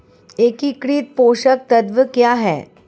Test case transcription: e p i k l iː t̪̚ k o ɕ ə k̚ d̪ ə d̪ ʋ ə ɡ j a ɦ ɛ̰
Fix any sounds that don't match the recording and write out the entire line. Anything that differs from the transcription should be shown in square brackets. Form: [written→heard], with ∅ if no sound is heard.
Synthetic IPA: e [p→k] i k [l→ɽ] iː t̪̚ [k→p] o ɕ ə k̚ [d̪→t̪] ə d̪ ʋ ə [ɡ→k] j a ɦ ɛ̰